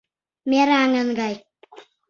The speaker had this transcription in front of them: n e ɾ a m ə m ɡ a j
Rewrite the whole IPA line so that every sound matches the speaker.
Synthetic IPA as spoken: m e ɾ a ŋ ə n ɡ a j